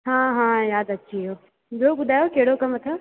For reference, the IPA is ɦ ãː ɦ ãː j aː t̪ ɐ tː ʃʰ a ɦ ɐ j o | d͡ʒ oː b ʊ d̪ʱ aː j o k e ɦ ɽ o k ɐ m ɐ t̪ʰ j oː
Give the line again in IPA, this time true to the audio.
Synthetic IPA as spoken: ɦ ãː ɦ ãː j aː d̪ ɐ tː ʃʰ i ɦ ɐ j o | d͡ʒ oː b ʊ d̪ʱ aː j o k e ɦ ɽ o k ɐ m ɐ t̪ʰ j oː